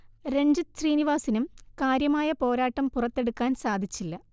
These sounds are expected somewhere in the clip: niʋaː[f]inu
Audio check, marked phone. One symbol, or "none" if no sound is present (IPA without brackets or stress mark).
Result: s